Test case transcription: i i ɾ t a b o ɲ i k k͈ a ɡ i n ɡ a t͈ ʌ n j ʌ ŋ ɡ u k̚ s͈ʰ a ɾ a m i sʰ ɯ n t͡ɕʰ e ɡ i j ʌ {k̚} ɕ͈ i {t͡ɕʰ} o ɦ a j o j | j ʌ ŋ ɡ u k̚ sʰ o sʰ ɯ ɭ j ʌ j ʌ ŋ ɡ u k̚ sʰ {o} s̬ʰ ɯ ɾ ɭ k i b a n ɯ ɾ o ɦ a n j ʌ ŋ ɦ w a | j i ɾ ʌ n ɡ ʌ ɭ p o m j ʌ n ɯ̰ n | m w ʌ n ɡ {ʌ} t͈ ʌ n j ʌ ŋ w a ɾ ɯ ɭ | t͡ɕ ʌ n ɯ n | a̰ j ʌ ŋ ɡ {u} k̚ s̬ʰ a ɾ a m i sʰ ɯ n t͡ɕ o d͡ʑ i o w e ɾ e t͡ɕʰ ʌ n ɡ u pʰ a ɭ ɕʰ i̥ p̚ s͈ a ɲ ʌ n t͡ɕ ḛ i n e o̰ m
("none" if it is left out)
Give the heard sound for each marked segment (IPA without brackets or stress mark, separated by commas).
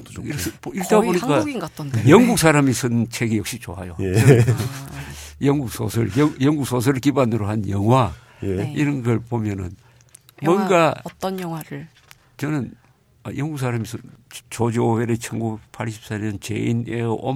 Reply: k̚, t͡ɕ, o, a, u